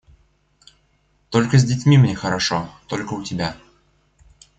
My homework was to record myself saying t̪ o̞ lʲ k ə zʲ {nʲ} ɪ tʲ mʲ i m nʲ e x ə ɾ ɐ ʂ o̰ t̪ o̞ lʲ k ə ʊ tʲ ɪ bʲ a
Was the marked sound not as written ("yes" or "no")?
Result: yes